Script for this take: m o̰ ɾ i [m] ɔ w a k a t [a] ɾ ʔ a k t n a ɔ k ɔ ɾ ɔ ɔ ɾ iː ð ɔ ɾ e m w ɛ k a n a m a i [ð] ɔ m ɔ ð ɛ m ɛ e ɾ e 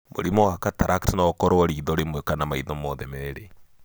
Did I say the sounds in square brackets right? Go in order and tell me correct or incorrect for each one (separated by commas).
correct, correct, correct